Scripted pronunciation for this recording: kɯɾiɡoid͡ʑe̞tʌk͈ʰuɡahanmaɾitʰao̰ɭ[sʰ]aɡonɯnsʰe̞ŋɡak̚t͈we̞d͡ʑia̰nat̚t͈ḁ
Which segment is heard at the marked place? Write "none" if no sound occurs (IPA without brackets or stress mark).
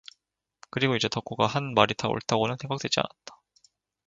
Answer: tʰ